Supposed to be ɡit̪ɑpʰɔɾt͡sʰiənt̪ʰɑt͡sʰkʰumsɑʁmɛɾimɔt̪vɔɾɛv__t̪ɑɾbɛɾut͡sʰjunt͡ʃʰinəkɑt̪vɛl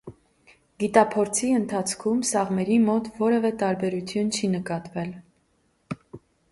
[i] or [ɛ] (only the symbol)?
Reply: ɛ